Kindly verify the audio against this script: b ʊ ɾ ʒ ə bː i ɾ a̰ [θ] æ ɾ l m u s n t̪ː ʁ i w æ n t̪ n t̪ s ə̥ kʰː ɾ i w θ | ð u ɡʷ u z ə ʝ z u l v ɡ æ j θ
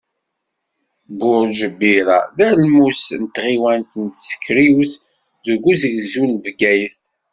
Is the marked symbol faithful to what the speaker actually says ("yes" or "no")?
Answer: no